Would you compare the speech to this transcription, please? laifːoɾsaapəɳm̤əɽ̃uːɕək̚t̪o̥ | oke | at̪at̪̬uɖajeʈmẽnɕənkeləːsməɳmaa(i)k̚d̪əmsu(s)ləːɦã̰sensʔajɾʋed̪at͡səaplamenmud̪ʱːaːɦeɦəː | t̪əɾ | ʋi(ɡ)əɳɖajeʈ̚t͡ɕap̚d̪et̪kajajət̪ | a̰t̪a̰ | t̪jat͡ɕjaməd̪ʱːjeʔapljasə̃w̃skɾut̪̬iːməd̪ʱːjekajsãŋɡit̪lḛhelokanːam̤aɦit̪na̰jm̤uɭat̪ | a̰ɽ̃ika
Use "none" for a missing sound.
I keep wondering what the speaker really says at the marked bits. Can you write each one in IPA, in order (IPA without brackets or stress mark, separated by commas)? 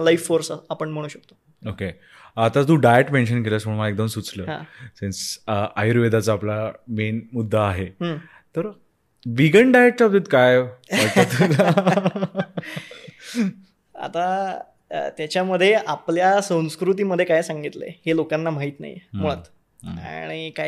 e, t͡s, ɡ